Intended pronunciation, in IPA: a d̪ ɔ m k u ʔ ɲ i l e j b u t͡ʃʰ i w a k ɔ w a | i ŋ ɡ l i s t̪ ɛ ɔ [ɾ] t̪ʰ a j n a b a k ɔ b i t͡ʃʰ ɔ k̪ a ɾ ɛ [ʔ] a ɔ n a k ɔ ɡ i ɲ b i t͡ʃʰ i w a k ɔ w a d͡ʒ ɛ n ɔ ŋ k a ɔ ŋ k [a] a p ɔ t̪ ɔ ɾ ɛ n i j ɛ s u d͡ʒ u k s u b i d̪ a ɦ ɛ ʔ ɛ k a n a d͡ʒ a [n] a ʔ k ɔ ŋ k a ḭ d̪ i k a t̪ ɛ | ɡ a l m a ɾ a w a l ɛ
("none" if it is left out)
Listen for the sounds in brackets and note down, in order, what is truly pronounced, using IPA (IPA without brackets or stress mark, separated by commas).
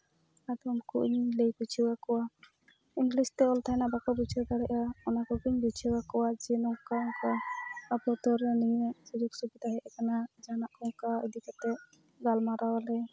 l, ʔ, a, n